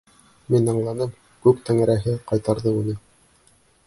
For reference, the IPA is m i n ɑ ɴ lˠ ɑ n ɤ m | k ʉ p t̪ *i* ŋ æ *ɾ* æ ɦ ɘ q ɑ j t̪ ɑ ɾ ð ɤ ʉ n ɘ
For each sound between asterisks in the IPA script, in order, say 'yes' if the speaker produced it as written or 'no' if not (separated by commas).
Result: no, yes